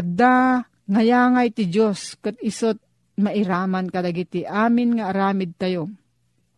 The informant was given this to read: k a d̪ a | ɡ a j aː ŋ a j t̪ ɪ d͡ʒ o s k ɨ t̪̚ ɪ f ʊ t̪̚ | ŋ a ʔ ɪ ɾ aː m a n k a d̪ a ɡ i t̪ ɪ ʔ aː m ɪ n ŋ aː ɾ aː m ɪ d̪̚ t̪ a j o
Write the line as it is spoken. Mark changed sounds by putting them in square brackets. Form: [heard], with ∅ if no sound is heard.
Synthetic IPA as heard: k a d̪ a | [ŋ] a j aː ŋ a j t̪ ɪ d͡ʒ o s k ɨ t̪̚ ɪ [s] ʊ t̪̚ | [m] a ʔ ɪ ɾ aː m a n k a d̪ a ɡ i t̪ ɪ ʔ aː m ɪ n ŋ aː ɾ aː m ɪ d̪̚ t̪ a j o